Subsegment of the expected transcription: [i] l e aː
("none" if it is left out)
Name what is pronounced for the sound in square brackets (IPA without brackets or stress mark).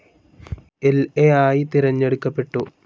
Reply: e